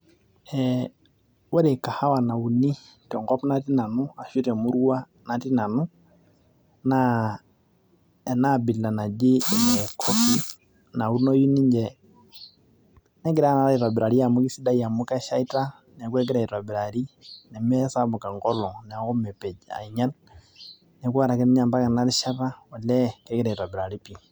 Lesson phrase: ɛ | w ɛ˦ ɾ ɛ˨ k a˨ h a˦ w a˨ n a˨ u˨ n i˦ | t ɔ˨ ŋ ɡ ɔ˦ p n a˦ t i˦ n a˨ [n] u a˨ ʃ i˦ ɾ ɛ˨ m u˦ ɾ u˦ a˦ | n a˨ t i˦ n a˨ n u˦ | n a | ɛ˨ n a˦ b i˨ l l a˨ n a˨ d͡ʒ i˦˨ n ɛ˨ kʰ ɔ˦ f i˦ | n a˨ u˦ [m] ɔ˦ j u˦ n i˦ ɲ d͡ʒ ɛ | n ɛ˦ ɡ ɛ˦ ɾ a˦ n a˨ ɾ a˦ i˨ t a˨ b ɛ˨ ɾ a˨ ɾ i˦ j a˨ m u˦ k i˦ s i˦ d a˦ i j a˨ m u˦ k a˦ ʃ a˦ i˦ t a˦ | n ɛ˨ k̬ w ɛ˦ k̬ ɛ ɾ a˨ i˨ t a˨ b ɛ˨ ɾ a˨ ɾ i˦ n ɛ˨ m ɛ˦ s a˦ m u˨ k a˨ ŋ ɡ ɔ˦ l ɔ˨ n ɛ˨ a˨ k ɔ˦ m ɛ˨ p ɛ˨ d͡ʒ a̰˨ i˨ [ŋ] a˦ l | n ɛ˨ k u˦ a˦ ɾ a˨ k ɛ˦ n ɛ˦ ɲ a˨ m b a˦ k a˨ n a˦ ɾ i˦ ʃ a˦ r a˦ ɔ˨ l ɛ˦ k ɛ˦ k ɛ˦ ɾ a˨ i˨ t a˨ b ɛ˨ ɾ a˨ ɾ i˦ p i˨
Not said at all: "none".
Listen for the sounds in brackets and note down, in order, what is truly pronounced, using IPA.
n, n, ɲ

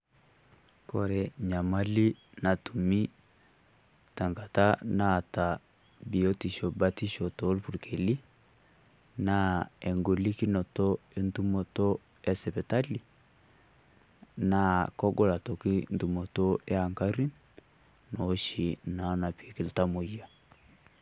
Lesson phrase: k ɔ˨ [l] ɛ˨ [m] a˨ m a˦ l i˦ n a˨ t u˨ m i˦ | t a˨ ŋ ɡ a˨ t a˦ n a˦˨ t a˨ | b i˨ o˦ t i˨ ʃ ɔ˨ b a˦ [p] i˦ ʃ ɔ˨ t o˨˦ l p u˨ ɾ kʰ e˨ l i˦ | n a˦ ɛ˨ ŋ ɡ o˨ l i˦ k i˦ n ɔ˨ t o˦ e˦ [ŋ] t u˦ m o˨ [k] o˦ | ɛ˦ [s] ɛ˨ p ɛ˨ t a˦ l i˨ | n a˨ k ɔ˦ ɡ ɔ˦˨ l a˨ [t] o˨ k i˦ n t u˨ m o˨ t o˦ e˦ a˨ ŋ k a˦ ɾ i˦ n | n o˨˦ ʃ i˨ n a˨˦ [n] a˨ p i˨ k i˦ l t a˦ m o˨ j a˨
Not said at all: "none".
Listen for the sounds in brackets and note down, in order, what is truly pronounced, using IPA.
ɾ, ɲ, t, n, t, s, t, n

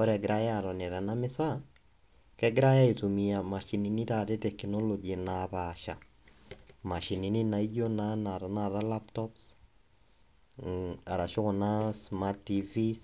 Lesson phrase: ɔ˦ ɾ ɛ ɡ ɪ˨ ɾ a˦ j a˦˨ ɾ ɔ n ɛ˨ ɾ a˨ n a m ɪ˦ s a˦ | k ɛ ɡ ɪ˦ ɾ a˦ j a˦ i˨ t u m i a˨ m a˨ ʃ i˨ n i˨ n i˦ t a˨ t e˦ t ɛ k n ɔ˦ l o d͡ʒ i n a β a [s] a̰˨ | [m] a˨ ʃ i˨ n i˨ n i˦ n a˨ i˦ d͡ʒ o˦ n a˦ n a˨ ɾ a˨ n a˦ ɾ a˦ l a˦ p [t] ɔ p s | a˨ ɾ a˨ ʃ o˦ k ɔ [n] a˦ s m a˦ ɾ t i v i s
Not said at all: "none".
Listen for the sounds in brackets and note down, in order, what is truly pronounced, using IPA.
ʃ, m, t, n

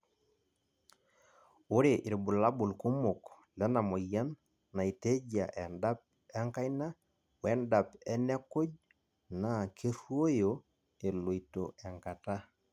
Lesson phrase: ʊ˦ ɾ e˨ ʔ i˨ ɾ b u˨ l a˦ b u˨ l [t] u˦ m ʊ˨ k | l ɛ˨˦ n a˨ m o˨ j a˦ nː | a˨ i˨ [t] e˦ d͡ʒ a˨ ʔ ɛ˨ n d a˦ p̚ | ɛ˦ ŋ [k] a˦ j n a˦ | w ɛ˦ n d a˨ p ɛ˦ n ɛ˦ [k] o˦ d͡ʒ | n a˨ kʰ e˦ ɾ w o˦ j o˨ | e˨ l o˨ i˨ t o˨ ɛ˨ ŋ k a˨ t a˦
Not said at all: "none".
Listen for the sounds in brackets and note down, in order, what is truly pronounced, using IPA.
k, t, k, k

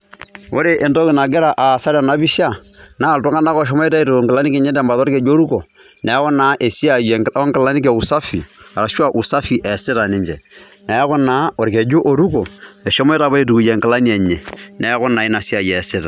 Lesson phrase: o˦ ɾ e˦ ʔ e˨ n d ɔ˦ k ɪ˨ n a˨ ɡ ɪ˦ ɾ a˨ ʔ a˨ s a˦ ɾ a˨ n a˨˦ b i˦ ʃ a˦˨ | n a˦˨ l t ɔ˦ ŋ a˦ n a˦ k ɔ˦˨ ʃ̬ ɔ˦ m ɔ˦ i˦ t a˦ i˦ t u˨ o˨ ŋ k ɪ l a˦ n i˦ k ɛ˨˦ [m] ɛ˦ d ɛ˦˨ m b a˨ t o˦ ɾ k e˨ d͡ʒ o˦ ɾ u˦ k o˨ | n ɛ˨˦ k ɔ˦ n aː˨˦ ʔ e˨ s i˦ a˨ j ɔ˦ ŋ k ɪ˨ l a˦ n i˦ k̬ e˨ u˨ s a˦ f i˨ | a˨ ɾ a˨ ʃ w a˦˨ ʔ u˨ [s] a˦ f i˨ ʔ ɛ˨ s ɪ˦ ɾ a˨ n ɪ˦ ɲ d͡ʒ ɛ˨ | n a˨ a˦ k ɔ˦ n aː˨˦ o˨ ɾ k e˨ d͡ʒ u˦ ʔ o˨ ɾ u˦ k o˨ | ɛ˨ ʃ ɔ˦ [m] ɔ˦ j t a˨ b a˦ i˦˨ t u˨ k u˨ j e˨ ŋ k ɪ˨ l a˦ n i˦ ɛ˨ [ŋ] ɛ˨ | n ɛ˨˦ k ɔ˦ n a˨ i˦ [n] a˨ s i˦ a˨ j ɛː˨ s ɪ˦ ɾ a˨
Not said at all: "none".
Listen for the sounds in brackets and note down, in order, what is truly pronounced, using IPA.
ɲ, s, m, ɲ, n

